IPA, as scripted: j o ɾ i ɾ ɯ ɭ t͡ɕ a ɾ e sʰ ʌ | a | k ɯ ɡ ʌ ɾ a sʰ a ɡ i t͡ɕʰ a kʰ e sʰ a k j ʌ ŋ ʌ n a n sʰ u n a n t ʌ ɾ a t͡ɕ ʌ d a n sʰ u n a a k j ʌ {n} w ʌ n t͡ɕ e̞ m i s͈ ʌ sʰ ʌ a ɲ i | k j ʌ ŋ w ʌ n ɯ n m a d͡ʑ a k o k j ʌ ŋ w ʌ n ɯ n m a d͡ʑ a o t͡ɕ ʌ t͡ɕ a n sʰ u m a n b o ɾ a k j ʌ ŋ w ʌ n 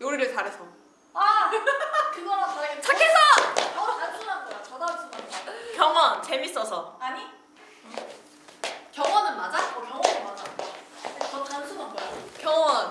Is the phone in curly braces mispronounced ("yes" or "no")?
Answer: yes